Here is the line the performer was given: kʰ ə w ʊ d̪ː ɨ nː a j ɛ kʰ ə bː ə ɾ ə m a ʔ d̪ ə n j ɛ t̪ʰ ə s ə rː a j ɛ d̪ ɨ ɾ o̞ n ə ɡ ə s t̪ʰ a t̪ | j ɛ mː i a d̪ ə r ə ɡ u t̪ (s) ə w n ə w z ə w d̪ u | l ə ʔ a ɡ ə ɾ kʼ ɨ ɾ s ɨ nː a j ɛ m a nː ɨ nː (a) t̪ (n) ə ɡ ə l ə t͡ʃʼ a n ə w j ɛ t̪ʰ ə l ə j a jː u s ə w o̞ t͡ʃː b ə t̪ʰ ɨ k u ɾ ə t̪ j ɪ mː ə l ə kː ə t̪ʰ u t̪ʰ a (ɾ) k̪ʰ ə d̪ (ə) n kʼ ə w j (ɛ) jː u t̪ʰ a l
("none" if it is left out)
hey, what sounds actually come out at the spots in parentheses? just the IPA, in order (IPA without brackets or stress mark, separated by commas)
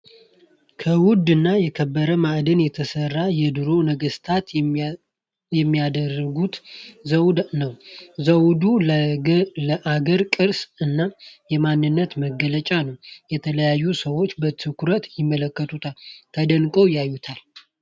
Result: z, ə, m, l, ə, a